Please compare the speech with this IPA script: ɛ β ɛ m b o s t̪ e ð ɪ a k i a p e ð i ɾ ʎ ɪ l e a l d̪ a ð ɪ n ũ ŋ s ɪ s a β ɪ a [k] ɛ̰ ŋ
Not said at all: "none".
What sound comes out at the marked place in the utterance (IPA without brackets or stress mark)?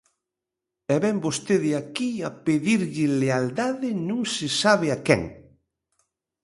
k